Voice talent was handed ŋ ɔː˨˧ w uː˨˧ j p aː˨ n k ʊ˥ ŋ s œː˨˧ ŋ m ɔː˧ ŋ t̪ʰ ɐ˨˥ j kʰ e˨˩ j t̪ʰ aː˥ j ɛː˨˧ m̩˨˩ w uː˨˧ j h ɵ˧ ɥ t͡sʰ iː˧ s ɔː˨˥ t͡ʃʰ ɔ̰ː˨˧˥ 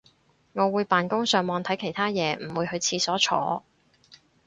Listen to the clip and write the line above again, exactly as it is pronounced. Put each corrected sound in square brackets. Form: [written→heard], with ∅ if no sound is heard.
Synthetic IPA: ŋ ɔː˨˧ w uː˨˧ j p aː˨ n k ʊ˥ ŋ s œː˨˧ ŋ m ɔː˧ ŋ t̪ʰ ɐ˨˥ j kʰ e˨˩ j t̪ʰ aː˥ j ɛː˨˧ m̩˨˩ w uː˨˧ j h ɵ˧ ɥ t͡sʰ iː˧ s ɔː˨˥ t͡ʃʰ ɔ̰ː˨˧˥